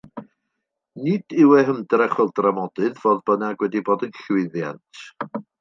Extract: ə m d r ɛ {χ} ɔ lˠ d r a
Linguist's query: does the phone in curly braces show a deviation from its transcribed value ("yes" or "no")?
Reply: no